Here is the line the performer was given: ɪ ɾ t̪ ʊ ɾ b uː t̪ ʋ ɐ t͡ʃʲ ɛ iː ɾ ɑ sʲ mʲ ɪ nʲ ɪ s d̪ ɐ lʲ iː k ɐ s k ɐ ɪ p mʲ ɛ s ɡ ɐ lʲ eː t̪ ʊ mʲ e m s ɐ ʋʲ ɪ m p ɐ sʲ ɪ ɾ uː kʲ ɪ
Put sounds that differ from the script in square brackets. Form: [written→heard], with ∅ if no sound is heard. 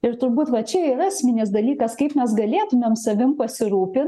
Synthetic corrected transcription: ɪ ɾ t̪ ʊ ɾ b uː t̪ ʋ ɐ t͡ʃʲ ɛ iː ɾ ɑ sʲ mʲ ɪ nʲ ɪ s d̪ ɐ lʲ iː k ɐ s k ɐ ɪ p mʲ ɛ s ɡ ɐ lʲ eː t̪ ʊ mʲ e m s ɐ ʋʲ ɪ m p ɐ sʲ ɪ ɾ uː [kʲ→pʲ] ɪ